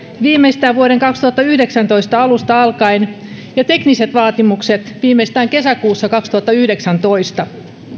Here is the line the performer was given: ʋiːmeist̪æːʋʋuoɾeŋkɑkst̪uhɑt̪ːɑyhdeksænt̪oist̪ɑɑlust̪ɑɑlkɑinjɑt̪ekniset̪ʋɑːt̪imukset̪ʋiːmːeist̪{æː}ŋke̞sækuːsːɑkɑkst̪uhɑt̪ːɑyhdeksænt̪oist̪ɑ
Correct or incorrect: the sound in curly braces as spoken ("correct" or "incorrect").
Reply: correct